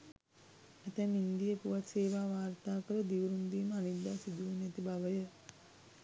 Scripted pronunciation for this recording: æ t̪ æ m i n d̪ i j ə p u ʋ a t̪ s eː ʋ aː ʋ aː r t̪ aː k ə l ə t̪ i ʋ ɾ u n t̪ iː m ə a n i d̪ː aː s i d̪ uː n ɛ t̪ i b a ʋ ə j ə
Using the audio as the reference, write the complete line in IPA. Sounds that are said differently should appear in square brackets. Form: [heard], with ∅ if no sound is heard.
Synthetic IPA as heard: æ t̪ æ m i n d̪ i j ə p u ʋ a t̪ s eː ʋ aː ʋ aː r t̪ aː k ə [ɾ] ə [d̪] i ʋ ɾ u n [d̪] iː m ə a n i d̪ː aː s i d̪ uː n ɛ t̪ i b a ʋ ə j ə